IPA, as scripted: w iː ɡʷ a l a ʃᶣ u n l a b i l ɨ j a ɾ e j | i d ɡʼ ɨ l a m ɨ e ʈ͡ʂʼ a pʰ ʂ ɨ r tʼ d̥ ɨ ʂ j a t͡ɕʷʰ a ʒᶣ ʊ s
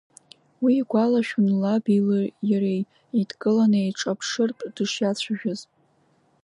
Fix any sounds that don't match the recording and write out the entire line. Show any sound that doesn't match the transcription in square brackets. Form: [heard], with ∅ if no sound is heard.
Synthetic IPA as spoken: w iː ɡʷ a l a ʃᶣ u n l a b i l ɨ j a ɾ e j | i d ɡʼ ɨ l a [n] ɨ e ʈ͡ʂʼ a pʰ ʂ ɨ r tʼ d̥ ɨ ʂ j a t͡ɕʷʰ a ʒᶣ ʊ [z]